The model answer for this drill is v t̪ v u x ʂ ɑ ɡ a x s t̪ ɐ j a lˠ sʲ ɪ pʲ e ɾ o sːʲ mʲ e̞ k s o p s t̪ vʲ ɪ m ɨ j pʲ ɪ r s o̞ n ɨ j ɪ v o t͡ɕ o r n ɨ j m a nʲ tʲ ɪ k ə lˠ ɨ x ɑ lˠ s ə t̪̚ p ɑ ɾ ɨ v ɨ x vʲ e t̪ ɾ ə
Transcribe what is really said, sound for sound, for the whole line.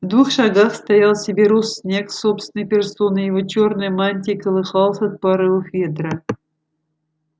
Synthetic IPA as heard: v d̪ v u x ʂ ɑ ɡ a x s t̪ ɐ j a lˠ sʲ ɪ bʲ e ɾ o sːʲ nʲ e̞ k s o p s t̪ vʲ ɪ n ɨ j pʲ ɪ r s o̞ n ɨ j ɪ v o t͡ɕ o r n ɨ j m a nʲ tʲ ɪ k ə lˠ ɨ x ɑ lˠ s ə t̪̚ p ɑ ɾ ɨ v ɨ x vʲ e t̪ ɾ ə